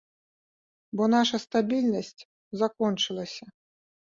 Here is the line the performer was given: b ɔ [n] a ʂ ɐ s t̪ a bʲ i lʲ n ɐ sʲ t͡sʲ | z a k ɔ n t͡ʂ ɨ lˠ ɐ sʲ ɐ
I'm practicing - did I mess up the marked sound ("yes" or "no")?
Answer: no